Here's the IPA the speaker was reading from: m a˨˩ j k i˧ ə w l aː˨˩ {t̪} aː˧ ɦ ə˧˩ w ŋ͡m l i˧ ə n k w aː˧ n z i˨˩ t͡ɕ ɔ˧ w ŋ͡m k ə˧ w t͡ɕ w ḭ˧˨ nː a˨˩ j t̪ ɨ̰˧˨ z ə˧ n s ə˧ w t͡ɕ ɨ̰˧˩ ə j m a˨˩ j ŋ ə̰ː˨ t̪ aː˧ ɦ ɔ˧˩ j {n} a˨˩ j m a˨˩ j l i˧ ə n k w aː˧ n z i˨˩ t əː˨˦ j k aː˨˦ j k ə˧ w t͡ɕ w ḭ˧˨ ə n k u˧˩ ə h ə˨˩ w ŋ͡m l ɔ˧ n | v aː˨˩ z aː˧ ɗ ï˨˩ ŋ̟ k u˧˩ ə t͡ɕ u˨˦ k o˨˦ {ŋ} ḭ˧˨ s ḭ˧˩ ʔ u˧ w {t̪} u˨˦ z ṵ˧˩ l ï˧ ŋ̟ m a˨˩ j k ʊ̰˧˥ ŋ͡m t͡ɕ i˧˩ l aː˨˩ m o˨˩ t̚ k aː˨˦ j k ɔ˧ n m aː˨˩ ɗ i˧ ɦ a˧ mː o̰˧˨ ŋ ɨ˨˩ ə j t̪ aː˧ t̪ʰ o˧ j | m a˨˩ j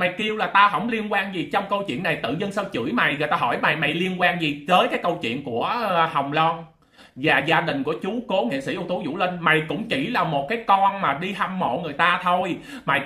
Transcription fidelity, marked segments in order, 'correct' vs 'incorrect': correct, incorrect: m, correct, correct

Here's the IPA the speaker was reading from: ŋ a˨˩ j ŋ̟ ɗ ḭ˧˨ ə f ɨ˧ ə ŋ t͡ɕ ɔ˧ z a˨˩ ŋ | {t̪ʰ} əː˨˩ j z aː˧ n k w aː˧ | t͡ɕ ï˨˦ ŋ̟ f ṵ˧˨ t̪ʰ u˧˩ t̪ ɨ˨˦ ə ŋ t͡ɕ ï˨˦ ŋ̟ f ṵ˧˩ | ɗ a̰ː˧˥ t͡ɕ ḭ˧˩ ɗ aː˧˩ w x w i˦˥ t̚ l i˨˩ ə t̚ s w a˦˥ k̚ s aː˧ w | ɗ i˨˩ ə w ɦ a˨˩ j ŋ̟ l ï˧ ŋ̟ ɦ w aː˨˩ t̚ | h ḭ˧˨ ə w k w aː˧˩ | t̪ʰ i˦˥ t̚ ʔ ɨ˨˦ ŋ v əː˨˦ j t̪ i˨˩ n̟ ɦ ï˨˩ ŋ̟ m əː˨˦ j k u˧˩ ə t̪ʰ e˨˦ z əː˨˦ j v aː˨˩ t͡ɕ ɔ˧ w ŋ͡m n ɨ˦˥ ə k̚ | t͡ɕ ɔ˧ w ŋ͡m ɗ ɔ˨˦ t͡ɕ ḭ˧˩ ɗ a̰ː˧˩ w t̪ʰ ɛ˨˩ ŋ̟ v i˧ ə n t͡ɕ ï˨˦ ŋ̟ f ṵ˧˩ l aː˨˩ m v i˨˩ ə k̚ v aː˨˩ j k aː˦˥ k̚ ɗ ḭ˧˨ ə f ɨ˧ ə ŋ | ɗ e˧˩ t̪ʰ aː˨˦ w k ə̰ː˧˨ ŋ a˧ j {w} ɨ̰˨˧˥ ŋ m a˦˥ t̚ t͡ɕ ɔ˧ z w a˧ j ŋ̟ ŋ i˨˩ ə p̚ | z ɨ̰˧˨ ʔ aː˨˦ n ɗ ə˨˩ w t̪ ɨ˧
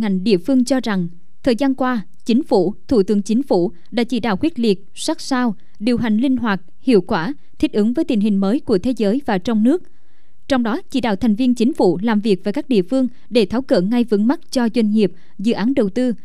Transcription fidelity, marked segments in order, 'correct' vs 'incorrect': correct, incorrect: v

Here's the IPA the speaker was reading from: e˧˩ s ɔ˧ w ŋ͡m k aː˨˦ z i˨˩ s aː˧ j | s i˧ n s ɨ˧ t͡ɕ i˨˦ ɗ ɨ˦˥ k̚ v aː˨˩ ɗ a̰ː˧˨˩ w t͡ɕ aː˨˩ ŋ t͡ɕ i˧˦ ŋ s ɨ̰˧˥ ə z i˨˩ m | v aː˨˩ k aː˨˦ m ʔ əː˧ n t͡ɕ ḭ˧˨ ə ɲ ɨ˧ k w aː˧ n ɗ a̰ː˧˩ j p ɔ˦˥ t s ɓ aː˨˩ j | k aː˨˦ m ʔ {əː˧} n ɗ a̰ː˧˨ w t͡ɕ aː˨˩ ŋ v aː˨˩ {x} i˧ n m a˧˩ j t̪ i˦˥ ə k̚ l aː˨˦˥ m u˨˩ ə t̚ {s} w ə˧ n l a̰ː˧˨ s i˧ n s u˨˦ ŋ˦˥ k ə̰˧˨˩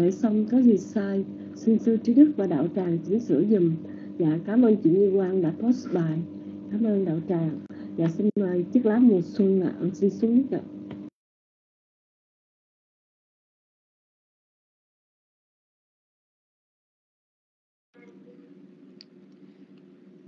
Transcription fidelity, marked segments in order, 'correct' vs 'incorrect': correct, incorrect: s, correct

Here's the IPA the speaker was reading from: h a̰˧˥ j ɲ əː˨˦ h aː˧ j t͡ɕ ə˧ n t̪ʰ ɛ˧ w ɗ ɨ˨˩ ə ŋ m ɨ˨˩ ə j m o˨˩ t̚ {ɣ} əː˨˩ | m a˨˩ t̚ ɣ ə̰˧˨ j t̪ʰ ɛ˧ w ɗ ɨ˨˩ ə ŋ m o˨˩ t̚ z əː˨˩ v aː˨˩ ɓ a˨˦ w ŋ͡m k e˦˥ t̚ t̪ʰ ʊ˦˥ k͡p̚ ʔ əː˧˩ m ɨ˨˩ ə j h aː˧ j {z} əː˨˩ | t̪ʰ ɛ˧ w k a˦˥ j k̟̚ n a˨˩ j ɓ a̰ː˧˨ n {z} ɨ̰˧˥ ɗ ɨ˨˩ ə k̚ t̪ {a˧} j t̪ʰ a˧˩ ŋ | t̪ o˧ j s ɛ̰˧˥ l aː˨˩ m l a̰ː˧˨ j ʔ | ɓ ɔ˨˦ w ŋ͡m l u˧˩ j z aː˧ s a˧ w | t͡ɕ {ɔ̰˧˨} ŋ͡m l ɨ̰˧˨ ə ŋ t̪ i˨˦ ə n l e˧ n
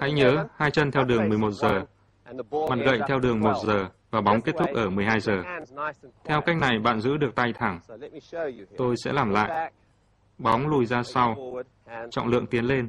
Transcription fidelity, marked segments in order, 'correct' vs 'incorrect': incorrect: z, correct, correct, correct, correct

